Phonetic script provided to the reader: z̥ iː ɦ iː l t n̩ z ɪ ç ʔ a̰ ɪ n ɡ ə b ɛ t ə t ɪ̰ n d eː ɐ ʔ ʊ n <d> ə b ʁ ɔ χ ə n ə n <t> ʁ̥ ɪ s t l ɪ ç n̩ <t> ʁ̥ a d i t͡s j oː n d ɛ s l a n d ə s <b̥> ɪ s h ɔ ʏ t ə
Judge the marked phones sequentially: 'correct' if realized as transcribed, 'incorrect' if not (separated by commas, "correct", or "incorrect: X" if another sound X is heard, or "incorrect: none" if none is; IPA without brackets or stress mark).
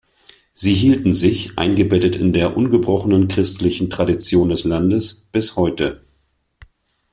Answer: incorrect: ɡ, incorrect: k, correct, correct